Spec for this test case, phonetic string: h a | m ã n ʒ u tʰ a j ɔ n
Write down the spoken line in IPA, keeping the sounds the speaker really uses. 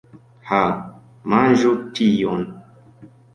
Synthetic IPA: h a | m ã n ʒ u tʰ i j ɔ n

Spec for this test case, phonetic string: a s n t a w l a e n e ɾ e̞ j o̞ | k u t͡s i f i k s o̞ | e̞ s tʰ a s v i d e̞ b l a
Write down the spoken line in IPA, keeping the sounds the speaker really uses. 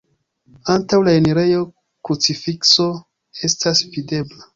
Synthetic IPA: a n t a w l a e n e ɾ e̞ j o̞ | k u t͡s i f i k s o̞ | e̞ s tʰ a s v i d e̞ b l a

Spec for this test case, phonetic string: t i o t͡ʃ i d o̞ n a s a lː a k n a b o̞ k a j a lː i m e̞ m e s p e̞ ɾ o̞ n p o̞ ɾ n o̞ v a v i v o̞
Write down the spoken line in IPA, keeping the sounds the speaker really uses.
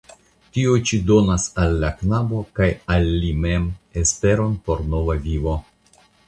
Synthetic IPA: t i o t͡ʃ i d o̞ n a s a lː a k n a b o̞ k a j a lː i m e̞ m e s p e̞ ɾ o̞ n p o̞ ɾ n o̞ v a v i v o̞

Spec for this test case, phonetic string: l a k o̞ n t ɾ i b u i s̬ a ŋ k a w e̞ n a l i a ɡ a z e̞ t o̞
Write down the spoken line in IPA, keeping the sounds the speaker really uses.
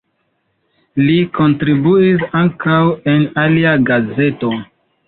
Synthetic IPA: l i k o̞ n t ɾ i b u i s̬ a ŋ k a w e̞ n a l i a ɡ a z e̞ t o̞

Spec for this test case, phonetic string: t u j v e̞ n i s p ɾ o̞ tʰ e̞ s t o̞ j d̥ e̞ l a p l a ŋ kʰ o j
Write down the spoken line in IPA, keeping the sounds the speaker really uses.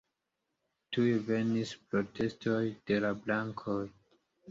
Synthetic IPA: t u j v e̞ n i s p ɾ o̞ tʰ e̞ s t o̞ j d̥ e̞ l a b l a ŋ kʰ o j

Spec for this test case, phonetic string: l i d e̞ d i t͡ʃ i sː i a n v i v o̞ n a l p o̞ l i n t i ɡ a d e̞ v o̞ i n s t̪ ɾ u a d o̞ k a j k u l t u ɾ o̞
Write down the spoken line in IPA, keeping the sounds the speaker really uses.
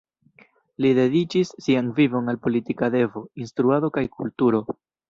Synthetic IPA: l i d e̞ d i t͡ʃ i sː i a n v i v o̞ n a l p o̞ l i t i k a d e̞ v o̞ i n s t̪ ɾ u a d o̞ k a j k u l t u ɾ o̞

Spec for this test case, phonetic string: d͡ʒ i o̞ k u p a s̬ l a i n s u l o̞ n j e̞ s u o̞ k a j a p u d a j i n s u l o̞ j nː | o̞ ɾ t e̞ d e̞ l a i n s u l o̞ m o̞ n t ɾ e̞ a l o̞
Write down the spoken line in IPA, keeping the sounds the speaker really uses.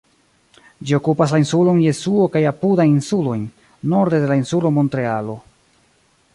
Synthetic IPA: d͡ʒ i o̞ k u p a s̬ l a i n s u l o̞ n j e̞ s u o̞ k a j a p u d a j i n s u l o̞ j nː | o̞ ɾ d e̞ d e̞ l a i n s u l o̞ m o̞ n t ɾ e̞ a l o̞

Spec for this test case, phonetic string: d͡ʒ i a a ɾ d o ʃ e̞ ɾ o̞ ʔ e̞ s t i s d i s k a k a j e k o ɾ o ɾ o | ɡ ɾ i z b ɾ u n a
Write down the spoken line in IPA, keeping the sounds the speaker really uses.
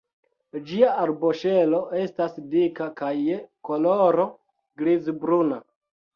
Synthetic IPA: d͡ʒ i a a ɾ b o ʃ e̞ l o̞ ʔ e̞ s t a s d i k a k a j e k o l o ɾ o | ɡ ɾ i z b ɾ u n a

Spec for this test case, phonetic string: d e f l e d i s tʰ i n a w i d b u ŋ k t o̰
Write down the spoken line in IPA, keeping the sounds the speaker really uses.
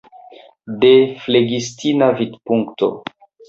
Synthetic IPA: d e f l e ɡ i s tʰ i n a v i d p u ŋ k t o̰

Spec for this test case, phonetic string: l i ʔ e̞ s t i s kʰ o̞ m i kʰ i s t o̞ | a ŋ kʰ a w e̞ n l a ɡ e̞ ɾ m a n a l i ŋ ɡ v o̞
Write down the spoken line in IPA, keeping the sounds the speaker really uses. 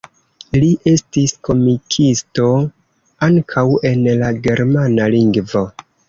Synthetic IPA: l i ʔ e̞ s t i s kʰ o̞ m i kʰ i s t o̞ | a ŋ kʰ a w e̞ n l a ɡ e̞ ɾ m a n a l i ŋ ɡ v o̞

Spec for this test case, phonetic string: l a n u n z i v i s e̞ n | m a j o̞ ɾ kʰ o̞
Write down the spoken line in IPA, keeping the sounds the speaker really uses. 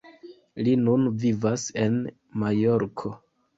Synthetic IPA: l i n u n v i v a s e̞ n | m a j o̞ ɾ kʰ o̞

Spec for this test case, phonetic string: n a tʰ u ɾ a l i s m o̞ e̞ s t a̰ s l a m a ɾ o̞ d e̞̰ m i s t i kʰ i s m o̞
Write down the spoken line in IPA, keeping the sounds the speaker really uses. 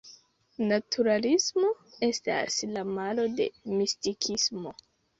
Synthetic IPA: n a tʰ u ɾ a l i s m o̞ e̞ s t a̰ s l a m a l o̞ d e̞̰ m i s t i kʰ i s m o̞

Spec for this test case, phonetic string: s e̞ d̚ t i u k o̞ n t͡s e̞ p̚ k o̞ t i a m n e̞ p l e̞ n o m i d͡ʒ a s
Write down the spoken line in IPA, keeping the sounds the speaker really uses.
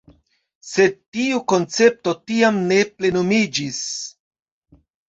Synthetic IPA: s e̞ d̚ t i u k o̞ n t͡s e̞ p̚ t o̞ t i a m n e̞ p l e̞ n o m i d͡ʒ i s

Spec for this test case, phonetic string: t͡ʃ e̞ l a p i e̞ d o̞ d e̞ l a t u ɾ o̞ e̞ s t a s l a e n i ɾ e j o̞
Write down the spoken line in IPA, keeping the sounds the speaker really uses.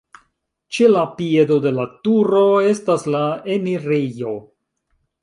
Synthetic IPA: t͡ʃ e̞ l a p i e̞ d o̞ d e̞ l a t u ɾ o̞ e̞ s t a s l a e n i ɾ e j o̞

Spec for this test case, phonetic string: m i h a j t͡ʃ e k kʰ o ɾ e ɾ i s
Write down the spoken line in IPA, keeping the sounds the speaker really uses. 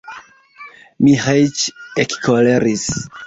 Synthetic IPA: m i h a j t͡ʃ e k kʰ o l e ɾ i s

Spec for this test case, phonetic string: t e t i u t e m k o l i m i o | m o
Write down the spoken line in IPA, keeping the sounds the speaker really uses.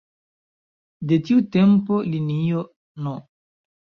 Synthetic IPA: d e t i u t e m p o l i n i o | n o

